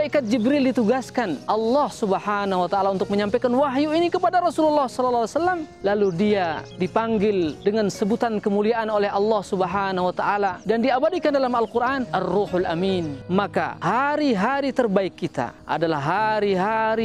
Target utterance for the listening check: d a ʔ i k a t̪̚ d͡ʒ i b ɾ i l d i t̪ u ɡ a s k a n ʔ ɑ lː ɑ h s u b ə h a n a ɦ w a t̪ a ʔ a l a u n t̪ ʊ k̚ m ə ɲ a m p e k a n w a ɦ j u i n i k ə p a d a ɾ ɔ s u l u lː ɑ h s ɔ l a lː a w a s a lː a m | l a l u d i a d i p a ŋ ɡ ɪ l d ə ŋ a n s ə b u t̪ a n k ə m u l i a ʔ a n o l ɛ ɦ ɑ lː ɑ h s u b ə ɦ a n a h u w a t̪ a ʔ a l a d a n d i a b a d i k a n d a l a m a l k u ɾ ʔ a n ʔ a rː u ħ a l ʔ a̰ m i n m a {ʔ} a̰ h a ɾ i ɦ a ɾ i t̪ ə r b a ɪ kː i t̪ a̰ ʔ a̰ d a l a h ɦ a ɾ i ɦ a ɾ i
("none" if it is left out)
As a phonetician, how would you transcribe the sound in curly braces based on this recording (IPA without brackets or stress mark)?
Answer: k